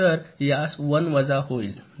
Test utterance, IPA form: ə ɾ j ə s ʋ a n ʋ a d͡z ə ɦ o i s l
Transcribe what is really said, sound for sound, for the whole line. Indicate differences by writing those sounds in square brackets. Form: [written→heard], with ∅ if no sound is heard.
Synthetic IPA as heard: ə ɾ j [ə→a] s ʋ [a→ə] n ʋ [a→ə] d͡z [ə→a] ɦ o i [s→∅] l

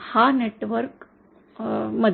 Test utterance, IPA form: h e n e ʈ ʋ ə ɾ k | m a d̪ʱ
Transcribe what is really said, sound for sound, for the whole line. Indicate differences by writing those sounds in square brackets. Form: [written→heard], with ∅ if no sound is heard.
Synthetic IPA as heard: h [e→a] n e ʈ ʋ ə ɾ k | m [a→ə] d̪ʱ

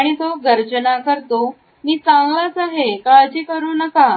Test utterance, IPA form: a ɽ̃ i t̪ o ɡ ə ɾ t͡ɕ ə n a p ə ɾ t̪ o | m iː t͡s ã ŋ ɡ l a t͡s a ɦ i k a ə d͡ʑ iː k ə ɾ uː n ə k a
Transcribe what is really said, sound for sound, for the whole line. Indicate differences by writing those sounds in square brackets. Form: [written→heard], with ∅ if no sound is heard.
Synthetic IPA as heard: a ɽ̃ i t̪ o ɡ ə ɾ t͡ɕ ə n a [p→k] ə ɾ t̪ o | m iː t͡s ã ŋ ɡ l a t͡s a ɦ [i→e] k a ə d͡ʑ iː k ə ɾ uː n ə k a

